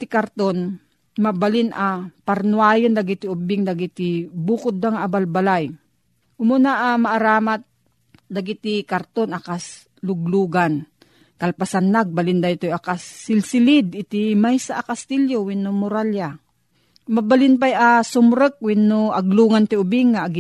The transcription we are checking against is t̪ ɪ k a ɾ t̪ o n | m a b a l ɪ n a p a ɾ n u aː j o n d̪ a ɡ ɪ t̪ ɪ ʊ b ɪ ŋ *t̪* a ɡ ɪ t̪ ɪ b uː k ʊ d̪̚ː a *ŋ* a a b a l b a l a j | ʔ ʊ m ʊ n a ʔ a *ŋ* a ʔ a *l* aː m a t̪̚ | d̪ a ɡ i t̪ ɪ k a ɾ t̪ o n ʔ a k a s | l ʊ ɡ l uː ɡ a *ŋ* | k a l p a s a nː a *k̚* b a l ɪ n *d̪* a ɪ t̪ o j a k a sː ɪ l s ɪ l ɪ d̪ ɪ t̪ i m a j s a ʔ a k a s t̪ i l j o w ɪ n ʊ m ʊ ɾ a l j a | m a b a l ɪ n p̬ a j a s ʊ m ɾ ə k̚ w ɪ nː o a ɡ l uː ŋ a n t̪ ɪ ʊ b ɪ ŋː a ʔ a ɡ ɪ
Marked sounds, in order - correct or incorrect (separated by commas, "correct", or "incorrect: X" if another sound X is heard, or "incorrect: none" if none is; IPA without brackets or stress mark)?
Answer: incorrect: d̪, correct, incorrect: m, incorrect: ɾ, incorrect: n, incorrect: ɡ̚, correct